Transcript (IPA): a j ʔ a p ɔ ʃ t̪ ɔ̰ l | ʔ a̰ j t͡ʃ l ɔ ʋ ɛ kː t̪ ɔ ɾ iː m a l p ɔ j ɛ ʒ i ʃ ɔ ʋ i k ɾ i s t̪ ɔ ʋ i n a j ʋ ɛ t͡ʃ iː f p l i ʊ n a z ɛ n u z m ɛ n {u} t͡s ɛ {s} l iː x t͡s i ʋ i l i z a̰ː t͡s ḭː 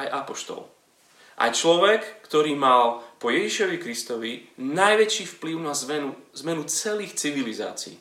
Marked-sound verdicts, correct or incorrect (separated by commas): correct, incorrect